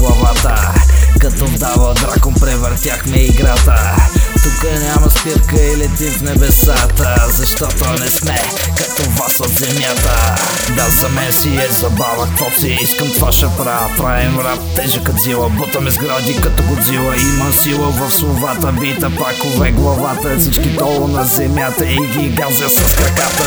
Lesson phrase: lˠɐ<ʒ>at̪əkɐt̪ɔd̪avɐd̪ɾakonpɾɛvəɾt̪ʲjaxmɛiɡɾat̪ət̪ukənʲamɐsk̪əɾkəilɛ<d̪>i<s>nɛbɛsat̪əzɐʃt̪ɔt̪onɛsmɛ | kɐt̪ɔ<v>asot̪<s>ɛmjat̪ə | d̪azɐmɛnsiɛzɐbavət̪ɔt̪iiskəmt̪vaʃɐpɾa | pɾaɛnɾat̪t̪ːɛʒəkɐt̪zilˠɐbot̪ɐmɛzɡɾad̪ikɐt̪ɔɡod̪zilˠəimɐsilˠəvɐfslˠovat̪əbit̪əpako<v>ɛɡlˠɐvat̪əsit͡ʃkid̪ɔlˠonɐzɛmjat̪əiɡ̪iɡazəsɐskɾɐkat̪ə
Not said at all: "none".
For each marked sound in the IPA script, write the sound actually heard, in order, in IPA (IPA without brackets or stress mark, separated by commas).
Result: v, t̪, f, v, z, v